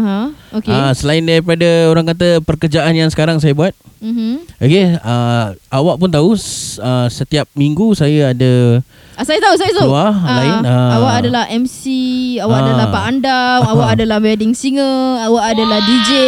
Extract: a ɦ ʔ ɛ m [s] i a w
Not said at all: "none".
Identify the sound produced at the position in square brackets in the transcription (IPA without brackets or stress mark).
s